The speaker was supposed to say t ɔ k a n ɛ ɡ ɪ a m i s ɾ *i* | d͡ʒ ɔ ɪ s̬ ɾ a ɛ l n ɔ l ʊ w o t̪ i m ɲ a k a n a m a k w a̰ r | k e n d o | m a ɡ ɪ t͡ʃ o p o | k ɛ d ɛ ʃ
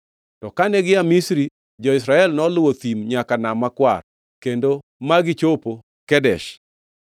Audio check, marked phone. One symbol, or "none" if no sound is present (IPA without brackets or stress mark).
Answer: i